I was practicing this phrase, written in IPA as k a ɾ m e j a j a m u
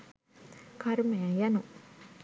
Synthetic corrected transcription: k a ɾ m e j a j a n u